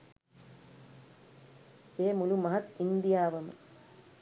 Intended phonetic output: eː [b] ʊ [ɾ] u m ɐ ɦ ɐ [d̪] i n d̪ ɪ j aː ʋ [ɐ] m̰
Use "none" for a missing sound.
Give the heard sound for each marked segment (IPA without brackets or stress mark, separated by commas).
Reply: m, l, t̪, ɐ